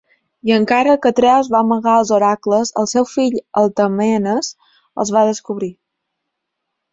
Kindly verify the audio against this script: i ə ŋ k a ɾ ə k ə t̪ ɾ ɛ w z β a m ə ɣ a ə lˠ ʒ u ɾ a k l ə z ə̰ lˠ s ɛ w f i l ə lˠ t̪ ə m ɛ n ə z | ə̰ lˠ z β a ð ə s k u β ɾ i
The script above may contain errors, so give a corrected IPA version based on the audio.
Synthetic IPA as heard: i ə ŋ k a ɾ ə k ə t̪ ɾ ɛ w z β a m ə ɣ a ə lˠ z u ɾ a k l ə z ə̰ lˠ s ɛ w f i ʎ ə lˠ t̪ ə m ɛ n ə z | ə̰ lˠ z β a ð ə s k u β ɾ i